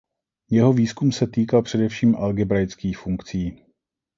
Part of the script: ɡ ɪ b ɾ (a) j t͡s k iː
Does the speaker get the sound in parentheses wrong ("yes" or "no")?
no